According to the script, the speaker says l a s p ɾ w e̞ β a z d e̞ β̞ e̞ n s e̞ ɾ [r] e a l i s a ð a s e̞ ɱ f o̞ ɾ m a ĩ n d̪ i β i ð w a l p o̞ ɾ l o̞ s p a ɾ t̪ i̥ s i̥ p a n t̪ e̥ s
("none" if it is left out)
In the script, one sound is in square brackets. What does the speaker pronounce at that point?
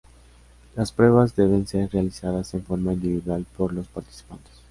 r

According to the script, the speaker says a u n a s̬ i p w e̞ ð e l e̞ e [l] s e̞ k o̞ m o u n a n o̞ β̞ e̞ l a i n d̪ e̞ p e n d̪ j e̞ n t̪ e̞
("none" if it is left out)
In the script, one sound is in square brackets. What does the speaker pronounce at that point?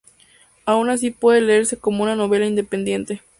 ɾ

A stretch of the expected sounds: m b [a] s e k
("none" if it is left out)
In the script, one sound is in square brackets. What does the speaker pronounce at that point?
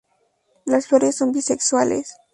i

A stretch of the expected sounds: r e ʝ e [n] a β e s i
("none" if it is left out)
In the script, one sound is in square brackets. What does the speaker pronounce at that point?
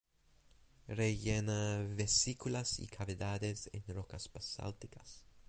n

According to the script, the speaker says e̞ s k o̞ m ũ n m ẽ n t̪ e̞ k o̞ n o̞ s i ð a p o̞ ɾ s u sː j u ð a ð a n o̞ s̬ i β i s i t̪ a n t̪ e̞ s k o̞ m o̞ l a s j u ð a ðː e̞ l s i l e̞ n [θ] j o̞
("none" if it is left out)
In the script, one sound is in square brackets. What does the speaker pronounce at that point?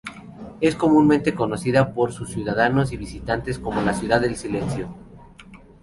s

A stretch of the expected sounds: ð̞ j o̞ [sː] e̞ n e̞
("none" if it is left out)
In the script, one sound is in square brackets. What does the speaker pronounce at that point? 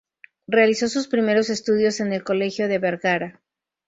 s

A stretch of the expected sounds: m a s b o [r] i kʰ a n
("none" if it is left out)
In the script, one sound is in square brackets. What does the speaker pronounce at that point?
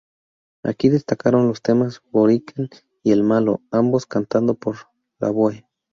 ɾ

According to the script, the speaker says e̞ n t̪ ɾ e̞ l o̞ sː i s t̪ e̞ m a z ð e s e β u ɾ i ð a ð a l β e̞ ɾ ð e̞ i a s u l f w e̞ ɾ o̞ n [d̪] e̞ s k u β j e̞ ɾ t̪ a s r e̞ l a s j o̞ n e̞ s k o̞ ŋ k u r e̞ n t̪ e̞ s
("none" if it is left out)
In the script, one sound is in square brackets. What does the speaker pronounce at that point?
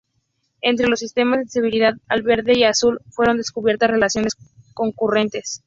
d̪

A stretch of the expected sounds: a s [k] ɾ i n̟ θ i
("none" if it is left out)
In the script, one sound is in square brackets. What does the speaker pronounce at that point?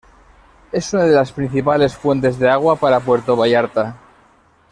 p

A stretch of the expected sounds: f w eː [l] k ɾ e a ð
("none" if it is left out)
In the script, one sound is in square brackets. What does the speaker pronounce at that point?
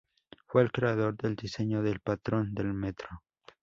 l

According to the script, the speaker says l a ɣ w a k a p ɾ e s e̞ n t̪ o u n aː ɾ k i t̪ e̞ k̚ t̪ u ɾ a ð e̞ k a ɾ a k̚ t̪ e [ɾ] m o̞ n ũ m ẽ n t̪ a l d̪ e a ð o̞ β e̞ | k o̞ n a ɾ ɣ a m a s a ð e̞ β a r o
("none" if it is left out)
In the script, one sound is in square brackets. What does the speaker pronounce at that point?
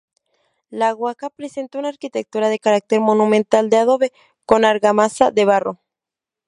ɾ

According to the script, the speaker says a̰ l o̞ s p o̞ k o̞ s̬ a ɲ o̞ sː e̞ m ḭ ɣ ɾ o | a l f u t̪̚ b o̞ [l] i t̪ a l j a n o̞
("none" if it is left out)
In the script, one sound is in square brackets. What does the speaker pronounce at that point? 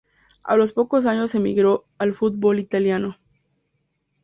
l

